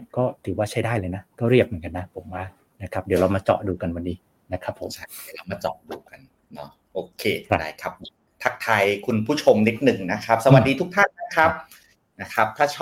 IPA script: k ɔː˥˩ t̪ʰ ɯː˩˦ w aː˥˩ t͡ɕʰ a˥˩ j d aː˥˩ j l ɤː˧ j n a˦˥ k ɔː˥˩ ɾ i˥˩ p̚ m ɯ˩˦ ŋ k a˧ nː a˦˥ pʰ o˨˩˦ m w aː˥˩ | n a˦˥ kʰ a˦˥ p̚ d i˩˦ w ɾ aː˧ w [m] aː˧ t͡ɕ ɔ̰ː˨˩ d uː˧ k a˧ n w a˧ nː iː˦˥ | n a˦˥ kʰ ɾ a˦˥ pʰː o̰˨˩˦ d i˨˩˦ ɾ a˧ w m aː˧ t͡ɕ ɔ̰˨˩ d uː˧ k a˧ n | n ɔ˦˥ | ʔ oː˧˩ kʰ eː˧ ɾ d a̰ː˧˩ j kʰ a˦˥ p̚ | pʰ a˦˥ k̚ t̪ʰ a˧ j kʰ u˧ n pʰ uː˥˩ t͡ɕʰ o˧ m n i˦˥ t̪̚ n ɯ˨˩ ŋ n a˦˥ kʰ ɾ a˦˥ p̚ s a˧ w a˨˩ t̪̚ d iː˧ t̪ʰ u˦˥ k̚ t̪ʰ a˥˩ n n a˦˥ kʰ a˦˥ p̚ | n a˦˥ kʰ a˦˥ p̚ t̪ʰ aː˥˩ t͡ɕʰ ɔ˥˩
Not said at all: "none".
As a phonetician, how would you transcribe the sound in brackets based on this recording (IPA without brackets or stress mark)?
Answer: m